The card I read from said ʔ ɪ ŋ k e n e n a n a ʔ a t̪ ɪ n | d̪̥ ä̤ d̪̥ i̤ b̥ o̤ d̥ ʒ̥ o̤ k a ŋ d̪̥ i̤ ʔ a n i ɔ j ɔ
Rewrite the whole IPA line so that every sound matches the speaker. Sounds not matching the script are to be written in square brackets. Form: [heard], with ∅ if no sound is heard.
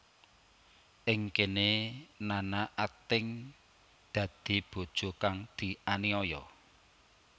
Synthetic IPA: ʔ ɪ ŋ k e n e n a n a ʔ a t̪ ɪ [ŋ] | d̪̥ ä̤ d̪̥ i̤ b̥ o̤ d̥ ʒ̥ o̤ k a ŋ d̪̥ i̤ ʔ a n i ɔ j ɔ

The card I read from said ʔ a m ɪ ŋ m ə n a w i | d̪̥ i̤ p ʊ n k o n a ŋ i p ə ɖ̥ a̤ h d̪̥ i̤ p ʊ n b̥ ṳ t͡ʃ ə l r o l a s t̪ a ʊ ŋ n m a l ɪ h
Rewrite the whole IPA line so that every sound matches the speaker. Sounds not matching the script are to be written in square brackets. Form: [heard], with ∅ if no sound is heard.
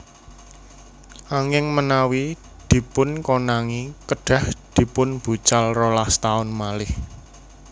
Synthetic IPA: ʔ a [ŋ] ɪ ŋ m ə n a w i | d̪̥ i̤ p ʊ n k o n a ŋ i [k] ə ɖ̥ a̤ h d̪̥ i̤ p ʊ n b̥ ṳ t͡ʃ [a] l r o l a s t̪ a ʊ [∅] n m a l ɪ h

